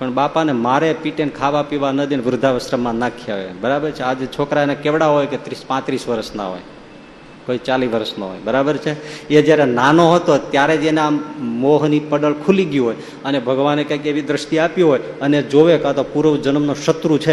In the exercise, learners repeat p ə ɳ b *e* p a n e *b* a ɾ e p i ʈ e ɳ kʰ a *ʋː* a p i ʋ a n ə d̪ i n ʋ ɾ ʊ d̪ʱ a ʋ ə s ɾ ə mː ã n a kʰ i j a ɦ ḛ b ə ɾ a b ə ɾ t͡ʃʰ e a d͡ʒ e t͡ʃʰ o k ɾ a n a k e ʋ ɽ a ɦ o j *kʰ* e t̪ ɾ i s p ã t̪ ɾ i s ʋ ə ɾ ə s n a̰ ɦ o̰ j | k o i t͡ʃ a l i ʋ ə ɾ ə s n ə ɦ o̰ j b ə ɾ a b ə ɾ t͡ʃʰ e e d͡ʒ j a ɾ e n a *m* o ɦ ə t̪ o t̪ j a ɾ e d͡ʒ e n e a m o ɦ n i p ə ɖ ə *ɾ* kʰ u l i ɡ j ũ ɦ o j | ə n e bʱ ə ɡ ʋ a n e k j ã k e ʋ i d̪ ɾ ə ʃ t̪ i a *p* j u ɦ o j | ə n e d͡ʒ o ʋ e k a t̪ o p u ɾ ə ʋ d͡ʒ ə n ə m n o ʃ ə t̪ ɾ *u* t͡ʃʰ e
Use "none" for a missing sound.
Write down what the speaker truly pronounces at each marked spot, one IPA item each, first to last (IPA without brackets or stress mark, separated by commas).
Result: a, m, ʋ, k, n, ɭ, p, u